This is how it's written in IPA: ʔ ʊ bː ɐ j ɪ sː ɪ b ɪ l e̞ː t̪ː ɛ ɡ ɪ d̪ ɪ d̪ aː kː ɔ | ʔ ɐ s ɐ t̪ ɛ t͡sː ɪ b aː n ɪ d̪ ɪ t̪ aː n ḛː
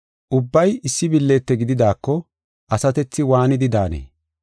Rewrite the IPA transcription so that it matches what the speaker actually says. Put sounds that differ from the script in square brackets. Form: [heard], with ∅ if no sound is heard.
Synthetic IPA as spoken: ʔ ʊ bː ɐ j ɪ sː ɪ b ɪ [lː] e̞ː t̪ː ɛ ɡ ɪ d̪ ɪ d̪ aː kː ɔ | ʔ ɐ s ɐ t̪ ɛ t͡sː ɪ [w] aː n ɪ d̪ ɪ [d̪] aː n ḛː